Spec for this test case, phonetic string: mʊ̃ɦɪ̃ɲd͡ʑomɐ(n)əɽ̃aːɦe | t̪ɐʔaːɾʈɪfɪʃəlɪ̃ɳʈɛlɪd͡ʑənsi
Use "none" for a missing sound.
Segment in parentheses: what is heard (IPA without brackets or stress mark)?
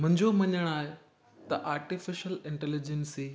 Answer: ɲ